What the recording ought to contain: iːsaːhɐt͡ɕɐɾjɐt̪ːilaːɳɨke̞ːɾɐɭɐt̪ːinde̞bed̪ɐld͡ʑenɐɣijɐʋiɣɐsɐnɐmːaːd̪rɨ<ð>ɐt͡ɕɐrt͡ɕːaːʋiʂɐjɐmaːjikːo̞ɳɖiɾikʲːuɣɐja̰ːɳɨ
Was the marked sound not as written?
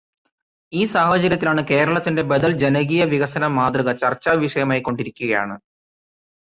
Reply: yes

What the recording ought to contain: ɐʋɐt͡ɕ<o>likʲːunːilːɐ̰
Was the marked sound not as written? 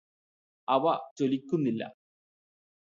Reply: no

